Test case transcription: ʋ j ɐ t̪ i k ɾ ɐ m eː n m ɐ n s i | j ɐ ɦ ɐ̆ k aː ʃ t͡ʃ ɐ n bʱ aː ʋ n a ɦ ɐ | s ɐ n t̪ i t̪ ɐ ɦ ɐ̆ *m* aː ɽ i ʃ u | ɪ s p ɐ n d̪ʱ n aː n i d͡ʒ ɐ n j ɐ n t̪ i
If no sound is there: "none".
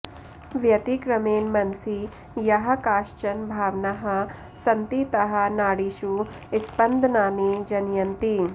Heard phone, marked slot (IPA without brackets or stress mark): n